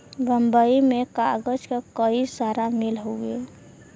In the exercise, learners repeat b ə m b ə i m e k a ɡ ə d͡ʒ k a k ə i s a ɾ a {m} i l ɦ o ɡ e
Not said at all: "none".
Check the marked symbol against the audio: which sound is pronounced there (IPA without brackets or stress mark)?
m